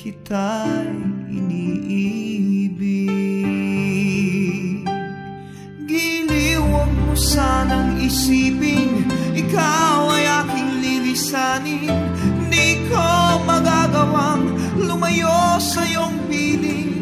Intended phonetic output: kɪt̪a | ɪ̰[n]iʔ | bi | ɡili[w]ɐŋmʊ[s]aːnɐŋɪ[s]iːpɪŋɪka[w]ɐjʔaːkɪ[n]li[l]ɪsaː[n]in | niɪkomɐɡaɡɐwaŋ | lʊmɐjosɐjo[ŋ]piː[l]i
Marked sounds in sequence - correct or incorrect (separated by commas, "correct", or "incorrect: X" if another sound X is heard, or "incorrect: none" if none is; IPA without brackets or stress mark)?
correct, correct, correct, correct, correct, incorrect: ŋ, correct, correct, correct, correct